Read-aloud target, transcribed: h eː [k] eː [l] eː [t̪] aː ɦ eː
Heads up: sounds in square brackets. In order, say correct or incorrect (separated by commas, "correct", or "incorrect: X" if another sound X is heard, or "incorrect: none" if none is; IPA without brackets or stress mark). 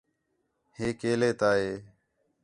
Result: correct, correct, correct